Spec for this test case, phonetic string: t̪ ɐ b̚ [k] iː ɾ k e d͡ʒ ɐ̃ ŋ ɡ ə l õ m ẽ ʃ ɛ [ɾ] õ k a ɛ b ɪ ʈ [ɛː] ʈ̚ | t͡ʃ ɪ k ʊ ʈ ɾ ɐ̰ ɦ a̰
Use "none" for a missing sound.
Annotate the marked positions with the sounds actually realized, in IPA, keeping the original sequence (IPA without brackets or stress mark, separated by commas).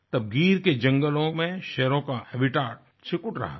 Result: ɡ, ɾ, aː